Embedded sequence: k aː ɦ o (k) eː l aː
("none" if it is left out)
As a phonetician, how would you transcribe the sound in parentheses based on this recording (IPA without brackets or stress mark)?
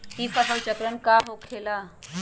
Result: kʰ